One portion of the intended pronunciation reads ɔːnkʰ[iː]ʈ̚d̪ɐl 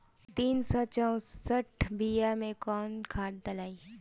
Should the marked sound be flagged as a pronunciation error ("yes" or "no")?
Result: yes